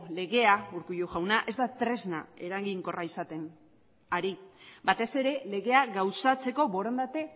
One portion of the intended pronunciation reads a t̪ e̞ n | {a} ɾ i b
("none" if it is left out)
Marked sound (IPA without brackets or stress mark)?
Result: a